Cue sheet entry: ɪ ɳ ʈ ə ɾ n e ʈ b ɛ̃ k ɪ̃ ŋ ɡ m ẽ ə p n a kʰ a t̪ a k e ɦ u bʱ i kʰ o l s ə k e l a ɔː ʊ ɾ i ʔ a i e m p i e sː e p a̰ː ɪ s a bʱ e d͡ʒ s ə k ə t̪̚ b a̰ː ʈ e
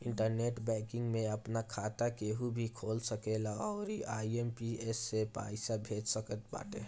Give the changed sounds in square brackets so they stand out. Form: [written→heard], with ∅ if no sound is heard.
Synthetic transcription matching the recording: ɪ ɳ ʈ ə ɾ n e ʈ b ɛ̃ k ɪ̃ ŋ ɡ m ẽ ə p n a kʰ a t̪ a k e ɦ u bʱ i kʰ o l s ə k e l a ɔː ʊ ɾ i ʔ a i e m p i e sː e p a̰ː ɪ s a bʱ e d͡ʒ s ə k ə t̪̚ b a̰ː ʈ e